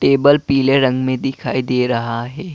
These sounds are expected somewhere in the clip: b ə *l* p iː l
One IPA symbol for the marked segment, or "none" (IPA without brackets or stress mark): l